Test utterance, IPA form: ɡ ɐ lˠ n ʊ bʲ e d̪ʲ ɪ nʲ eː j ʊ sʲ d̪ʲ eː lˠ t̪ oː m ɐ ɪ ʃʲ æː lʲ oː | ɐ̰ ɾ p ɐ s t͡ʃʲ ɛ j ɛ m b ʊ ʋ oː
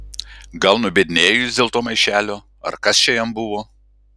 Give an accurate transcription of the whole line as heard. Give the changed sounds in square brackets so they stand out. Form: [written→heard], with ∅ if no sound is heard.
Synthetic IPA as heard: ɡ ɐ lˠ n ʊ bʲ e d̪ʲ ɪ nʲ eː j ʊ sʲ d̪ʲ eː lˠ t̪ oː m ɐ ɪ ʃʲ æː lʲ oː | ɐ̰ ɾ [p→k] ɐ s t͡ʃʲ ɛ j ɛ m b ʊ ʋ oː